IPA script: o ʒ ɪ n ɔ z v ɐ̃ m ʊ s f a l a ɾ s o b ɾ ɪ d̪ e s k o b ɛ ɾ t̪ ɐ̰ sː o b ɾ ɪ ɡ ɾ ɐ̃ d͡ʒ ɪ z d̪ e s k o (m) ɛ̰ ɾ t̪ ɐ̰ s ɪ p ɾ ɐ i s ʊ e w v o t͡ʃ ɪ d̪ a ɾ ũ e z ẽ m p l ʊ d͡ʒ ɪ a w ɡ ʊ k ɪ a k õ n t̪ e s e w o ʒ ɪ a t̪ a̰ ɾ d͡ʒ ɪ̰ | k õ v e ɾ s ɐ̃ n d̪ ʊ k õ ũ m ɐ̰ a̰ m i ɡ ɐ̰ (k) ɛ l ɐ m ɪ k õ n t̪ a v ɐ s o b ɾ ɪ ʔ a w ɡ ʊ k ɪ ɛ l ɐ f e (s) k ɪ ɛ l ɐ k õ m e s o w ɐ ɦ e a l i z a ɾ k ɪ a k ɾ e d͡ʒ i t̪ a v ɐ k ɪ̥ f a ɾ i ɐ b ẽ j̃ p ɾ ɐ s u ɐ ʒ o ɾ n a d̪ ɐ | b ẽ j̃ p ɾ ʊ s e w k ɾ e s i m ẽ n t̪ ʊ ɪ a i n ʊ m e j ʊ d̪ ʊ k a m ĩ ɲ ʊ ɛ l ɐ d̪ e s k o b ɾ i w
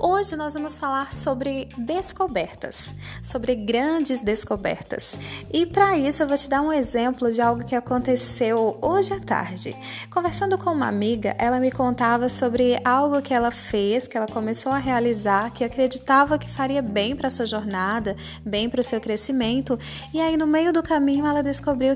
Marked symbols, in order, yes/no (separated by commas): no, no, yes